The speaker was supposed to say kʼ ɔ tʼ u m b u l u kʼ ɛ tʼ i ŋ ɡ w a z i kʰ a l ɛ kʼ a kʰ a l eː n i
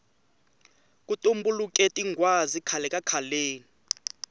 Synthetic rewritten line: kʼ u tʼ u m b u l u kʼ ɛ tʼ i ŋ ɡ w a z i kʰ a l ɛ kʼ a kʰ a l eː n i

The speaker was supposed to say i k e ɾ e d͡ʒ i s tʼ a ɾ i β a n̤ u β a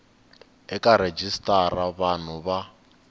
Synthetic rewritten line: ɛ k a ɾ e d͡ʒ i s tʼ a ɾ a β a n̤ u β a

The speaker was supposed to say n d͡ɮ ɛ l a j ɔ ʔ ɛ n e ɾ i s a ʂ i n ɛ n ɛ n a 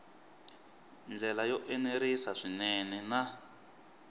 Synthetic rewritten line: n d͡ɮ ɛ l a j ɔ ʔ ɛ n e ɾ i s a ʂ i n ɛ n ɛ n a

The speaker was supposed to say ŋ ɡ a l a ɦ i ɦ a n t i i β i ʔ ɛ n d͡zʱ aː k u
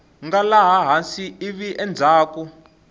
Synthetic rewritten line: ŋ ɡ a l a ɦ a ɦ a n s i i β i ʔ ɛ n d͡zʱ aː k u

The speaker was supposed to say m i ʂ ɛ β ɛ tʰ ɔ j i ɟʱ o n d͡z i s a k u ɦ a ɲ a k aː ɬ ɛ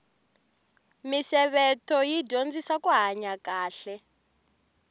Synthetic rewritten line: m i s ɛ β ɛ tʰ ɔ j i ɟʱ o n d͡z i s a k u ɦ a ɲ a k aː ɬ ɛ

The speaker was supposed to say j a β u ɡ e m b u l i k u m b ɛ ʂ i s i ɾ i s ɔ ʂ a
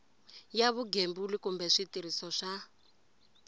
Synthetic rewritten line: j a β u ɡ e m b u l i k u m b ɛ ʂ i t i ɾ i s ɔ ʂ a

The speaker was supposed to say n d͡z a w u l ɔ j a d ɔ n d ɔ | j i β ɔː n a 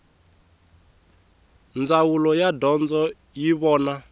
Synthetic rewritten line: n d͡z a w u l ɔ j a d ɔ n d͡z ɔ | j i β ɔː n a

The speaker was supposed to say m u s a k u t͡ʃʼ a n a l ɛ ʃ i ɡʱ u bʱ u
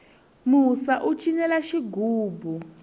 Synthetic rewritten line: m u s a ʔ u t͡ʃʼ i n ɛ l a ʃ i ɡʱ uː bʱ u

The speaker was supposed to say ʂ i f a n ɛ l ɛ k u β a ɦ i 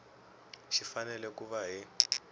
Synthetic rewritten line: ʃ i f a n ɛ l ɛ k u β a ɦ i

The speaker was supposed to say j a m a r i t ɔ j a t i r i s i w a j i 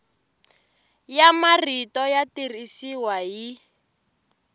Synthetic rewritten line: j a m a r i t ɔ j a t i r i s i w a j i

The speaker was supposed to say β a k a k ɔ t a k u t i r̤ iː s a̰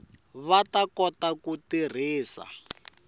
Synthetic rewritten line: β a t a k ɔ t a k u t i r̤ iː s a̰

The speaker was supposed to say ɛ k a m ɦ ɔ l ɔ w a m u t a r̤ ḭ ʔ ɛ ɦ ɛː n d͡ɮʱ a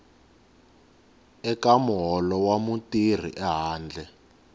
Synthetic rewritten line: ɛ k a m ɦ ɔ l ɔ w a m u t i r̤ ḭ ʔ ɛ ɦ aː n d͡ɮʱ ɛ

